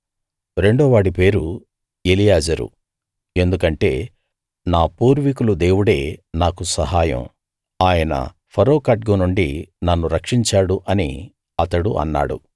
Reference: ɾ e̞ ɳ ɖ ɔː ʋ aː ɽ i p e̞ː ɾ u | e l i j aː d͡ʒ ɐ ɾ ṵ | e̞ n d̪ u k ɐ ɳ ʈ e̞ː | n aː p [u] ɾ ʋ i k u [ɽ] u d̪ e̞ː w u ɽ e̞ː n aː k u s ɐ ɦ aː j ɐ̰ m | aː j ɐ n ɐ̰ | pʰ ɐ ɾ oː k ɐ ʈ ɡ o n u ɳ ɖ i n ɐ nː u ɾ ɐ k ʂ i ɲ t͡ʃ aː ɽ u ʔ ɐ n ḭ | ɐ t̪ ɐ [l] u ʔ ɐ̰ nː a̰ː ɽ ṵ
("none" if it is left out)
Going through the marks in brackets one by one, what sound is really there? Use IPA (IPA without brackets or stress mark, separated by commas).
uː, l, ɽ